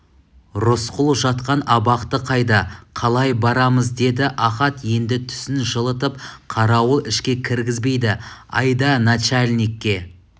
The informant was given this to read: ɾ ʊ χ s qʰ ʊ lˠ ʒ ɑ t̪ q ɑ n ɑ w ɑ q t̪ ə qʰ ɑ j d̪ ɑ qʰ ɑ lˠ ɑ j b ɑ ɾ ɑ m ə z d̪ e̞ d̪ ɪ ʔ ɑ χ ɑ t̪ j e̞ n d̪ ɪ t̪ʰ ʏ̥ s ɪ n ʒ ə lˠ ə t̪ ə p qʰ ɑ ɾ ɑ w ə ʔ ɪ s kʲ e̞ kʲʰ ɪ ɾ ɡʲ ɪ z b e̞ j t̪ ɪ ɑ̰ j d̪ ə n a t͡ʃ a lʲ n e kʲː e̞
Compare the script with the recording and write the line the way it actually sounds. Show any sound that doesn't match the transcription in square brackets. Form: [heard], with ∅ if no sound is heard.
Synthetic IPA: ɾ ʊ [∅] s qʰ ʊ lˠ ʒ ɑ t̪ q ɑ n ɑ [b] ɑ q t̪ ə qʰ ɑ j d̪ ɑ qʰ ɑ lˠ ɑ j b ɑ ɾ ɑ m ə z d̪ e̞ d̪ ɪ ʔ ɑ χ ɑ t̪ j e̞ n d̪ ɪ t̪ʰ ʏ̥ s ɪ n ʒ ə lˠ ə t̪ ə p qʰ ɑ ɾ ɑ w ə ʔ ɪ [ʃ] kʲ e̞ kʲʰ ɪ ɾ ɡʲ ɪ z b e̞ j [d̪] ɪ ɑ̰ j d̪ [ɑ] n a t͡ʃ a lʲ n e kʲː e̞